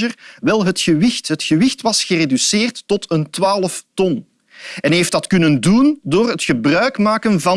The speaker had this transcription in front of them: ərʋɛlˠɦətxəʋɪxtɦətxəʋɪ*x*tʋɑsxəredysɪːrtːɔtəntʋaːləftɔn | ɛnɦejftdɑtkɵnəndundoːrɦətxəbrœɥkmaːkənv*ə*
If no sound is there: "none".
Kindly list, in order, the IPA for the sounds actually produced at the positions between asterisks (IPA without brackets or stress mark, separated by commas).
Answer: x, ɑ